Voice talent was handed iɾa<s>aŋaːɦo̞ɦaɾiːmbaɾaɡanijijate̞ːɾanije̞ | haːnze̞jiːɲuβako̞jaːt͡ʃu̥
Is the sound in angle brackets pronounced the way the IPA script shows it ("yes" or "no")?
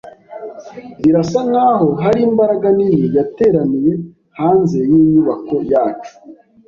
yes